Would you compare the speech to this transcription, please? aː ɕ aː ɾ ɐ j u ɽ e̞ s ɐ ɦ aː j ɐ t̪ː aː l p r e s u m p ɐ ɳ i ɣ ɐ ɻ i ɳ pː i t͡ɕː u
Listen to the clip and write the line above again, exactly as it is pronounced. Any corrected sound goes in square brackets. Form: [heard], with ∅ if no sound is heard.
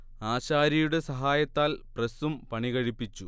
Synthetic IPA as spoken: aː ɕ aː ɾ ɐ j u ɽ e̞ s ɐ ɦ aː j ɐ t̪ː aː l p r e s u m p ɐ ɳ i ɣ ɐ ɻ i [∅] pː i t͡ɕː u